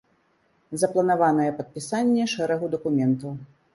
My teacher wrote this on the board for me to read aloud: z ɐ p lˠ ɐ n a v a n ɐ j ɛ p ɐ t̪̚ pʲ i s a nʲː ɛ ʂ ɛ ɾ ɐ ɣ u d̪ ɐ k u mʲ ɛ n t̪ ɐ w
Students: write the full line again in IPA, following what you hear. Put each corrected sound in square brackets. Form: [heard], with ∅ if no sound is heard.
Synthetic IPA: z ɐ p lˠ ɐ n a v a n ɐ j ɛ p ɐ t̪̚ pʲ i s a nʲː ɛ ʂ ɛ ɾ ɐ ɣ u d̪ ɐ k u mʲ ɛ n t̪ ɐ w